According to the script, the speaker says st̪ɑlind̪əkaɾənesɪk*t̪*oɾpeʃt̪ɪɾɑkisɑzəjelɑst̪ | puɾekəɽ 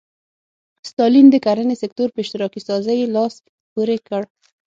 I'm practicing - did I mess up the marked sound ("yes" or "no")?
no